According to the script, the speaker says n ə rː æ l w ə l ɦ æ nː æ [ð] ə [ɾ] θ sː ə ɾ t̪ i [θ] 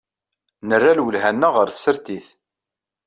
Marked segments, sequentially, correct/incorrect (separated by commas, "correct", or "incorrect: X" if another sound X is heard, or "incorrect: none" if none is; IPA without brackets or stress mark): incorrect: ʁ, correct, correct